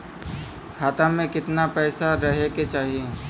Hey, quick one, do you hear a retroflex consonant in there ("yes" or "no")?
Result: no